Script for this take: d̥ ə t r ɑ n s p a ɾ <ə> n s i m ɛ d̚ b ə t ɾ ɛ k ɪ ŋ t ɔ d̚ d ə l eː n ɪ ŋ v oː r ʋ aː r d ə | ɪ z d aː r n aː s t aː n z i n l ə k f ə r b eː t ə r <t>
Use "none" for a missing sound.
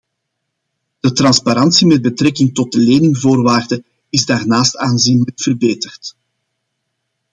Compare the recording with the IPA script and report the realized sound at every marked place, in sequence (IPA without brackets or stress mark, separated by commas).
ɑ, t